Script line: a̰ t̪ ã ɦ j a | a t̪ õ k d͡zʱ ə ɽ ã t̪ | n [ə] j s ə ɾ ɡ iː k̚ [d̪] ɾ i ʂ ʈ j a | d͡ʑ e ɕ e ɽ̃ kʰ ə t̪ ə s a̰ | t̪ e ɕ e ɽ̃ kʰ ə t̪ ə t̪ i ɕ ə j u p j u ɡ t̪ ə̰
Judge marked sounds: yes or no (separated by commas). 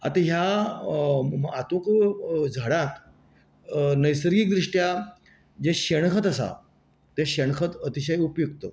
yes, yes